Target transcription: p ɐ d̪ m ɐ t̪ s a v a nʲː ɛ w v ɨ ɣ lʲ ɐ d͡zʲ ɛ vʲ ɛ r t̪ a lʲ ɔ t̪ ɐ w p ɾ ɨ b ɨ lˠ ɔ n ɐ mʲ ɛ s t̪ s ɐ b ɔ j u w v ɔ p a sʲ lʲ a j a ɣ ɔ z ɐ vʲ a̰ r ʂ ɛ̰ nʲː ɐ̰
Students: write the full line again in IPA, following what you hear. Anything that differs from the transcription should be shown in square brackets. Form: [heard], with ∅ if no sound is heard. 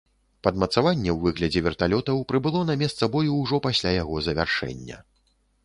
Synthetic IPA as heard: p ɐ d̪ m ɐ t̪ s a v a nʲː ɛ w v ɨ ɣ lʲ ɐ d͡zʲ ɛ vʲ ɛ r t̪ a lʲ ɔ t̪ ɐ w p ɾ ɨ b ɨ lˠ ɔ n ɐ mʲ ɛ s t̪ s ɐ b ɔ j u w [ʐ] ɔ p a sʲ lʲ a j a ɣ ɔ z ɐ vʲ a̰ r ʂ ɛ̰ nʲː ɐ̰